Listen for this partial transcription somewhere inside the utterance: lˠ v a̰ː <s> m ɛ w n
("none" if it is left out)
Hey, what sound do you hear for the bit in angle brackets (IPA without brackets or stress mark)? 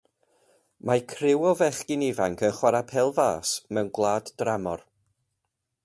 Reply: s